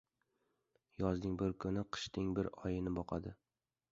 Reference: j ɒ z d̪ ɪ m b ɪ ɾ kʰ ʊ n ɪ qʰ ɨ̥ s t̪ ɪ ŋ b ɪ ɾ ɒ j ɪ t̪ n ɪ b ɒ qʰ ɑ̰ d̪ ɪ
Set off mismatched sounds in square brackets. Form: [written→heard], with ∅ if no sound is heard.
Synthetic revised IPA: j ɒ z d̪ ɪ [m→ŋ] b ɪ ɾ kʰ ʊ n ɪ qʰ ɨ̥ [s→ʃ] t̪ ɪ ŋ b ɪ ɾ ɒ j ɪ [t̪→∅] n ɪ b ɒ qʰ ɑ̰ d̪ ɪ